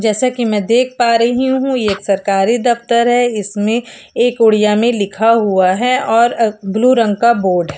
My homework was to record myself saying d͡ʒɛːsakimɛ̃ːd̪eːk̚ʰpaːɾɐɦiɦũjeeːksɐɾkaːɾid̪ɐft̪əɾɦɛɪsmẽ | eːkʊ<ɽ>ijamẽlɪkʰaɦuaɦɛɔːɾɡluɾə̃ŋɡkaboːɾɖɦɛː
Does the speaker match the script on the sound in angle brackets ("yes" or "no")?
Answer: yes